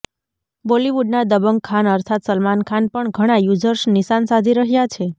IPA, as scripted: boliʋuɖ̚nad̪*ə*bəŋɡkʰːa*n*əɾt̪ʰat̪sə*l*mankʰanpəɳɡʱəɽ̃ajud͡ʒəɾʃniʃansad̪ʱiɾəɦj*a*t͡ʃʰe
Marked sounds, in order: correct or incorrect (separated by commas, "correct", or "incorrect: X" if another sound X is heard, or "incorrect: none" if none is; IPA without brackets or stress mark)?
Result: correct, correct, correct, correct